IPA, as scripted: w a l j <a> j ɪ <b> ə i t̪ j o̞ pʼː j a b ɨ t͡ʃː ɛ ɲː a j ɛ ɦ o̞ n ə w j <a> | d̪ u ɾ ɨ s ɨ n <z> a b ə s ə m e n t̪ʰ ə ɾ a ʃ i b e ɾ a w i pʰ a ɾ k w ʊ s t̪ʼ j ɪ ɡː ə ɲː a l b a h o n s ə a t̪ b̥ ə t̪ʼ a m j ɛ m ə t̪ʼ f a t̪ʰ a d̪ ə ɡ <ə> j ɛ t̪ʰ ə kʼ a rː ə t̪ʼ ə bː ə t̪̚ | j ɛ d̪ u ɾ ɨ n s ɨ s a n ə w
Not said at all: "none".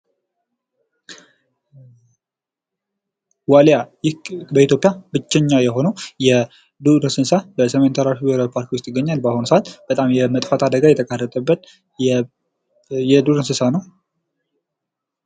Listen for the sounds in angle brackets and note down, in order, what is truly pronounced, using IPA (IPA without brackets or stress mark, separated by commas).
a, b, ɛ, s, a